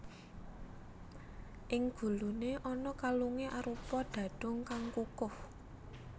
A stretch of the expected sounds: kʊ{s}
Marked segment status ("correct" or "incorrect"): incorrect